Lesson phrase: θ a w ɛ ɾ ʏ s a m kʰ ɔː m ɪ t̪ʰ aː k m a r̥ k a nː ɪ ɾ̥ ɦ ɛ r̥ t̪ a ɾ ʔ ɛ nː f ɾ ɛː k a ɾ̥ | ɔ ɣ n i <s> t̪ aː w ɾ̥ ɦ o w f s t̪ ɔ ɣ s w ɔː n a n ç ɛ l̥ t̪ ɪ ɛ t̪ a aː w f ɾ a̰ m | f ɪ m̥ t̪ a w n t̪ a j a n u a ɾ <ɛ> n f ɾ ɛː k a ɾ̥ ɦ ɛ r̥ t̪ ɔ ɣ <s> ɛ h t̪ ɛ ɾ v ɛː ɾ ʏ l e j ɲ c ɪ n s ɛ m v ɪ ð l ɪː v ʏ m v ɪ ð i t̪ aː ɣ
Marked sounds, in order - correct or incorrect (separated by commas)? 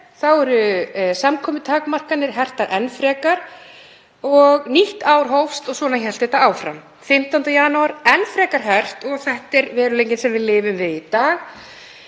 incorrect, correct, incorrect